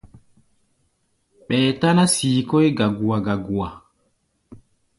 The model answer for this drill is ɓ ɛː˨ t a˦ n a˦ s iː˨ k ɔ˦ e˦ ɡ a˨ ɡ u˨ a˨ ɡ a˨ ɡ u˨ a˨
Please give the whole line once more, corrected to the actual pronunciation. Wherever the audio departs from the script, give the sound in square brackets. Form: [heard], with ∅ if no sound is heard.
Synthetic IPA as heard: ɓ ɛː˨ t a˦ n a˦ s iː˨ k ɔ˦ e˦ ɡ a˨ ɡ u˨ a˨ ɡ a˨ ɡ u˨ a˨